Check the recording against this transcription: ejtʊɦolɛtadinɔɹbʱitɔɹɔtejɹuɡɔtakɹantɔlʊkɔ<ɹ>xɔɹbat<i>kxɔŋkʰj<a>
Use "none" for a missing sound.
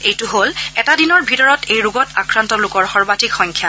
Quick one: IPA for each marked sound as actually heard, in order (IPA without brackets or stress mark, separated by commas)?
ɹ, i, a